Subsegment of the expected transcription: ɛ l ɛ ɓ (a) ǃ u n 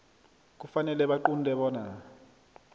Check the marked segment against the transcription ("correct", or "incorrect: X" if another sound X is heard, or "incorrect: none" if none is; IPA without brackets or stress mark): correct